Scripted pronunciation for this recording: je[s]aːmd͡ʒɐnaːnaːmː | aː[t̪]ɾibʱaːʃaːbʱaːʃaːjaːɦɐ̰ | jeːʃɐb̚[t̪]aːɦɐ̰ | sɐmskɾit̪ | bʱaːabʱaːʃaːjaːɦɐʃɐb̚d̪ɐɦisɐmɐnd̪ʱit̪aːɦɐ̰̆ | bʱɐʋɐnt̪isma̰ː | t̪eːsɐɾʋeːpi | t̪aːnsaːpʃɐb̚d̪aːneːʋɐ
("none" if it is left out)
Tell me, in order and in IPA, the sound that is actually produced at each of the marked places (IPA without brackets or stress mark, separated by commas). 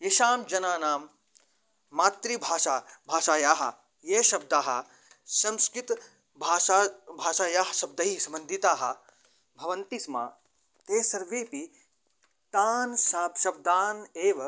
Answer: ʃ, t̪, d̪